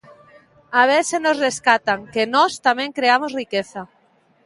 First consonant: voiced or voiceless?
voiced